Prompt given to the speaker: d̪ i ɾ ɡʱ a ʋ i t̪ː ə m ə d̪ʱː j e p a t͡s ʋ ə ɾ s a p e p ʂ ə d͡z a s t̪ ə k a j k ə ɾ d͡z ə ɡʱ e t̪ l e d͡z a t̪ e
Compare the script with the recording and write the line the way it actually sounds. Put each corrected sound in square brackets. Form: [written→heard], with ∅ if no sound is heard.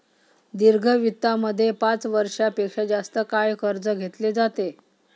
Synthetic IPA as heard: d̪ i ɾ ɡʱ [a→ə] ʋ i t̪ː [ə→a] m ə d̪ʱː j e p a t͡s ʋ ə ɾ [s→ʂ] a p e [p→k] ʂ [ə→a] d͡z a s t̪ ə k a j k ə ɾ d͡z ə ɡʱ e t̪ l e d͡z a t̪ e